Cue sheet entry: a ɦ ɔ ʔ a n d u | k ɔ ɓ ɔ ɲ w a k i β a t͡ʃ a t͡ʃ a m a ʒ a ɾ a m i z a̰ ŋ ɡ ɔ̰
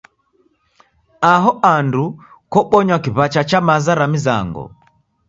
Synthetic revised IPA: a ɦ ɔ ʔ a n d u | k ɔ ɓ ɔ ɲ w a k i β a t͡ʃ a t͡ʃ a m a z a ɾ a m i z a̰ ŋ ɡ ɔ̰